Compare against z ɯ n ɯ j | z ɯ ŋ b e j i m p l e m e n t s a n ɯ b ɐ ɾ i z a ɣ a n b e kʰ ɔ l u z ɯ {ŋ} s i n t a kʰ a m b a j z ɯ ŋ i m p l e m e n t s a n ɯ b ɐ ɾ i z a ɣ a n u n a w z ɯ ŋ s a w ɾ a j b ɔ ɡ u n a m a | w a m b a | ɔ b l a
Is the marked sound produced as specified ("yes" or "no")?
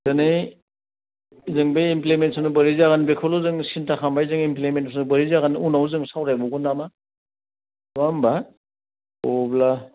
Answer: yes